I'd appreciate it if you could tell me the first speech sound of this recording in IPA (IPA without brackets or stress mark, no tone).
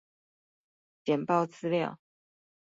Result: t͡ɕ